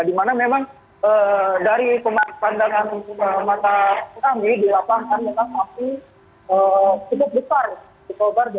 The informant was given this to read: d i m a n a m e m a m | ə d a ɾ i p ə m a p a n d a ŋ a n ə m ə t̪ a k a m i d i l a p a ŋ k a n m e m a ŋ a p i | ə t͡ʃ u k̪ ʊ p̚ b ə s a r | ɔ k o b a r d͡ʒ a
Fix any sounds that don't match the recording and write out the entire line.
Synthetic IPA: d i m a n a m e m a ŋ | ə d a ɾ i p ə m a p a n d a ŋ a n ə m a t̪ a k a m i d i l a p a ŋ k a n m e m a ŋ a p i | ə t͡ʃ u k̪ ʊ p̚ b ə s a r | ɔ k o b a r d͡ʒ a